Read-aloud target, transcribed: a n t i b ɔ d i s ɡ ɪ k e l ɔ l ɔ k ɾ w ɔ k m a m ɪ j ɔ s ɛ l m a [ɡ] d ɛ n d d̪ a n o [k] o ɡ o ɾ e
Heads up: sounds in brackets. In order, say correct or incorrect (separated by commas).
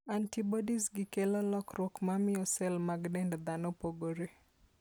correct, incorrect